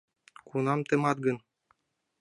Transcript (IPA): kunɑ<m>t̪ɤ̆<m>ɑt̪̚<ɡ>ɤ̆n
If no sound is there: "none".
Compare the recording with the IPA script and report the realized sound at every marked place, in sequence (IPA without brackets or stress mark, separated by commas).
m, m, ɡ